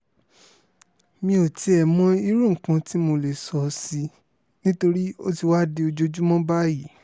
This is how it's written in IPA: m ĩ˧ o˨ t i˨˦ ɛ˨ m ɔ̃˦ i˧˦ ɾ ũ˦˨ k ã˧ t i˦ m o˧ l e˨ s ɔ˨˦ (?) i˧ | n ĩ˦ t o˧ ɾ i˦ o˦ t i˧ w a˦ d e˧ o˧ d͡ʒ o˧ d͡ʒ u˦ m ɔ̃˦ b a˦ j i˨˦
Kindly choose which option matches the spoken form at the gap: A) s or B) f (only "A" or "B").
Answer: A